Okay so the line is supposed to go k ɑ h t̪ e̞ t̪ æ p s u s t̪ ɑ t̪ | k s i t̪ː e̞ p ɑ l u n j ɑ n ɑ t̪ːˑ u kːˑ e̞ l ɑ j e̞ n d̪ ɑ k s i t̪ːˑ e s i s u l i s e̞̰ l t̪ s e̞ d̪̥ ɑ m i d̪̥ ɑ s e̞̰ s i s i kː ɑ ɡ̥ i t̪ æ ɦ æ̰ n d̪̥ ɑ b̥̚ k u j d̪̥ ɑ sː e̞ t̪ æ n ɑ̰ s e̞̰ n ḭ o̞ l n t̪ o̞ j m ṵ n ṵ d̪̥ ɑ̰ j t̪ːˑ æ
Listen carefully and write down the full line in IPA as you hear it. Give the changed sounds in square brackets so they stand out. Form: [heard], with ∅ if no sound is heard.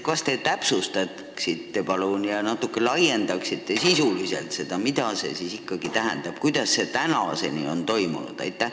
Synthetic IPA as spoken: k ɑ [s] t̪ e̞ t̪ æ p s u s t̪ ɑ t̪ | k s i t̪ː e̞ p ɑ l u n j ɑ n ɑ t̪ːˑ u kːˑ e̞ l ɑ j e̞ n d̪ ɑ k s i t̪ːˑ e s i s u l i s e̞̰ l t̪ s e̞ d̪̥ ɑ m i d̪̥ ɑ s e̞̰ s i s i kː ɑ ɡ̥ i t̪ æ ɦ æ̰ n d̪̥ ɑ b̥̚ k u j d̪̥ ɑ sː e̞ t̪ æ n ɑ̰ s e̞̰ n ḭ o̞ [∅] n t̪ o̞ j m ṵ n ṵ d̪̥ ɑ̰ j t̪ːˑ æ